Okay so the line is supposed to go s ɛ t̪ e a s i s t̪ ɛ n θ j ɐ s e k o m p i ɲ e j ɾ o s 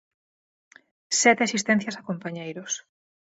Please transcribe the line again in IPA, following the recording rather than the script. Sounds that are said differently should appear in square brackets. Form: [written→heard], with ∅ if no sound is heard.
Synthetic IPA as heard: s ɛ t̪ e a s i s t̪ ɛ n θ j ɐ s [e→a] k o m p [i→a] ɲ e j ɾ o s